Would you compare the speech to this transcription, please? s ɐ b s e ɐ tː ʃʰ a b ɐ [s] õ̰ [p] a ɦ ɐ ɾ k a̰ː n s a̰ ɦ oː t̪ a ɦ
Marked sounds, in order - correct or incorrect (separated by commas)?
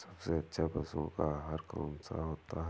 correct, incorrect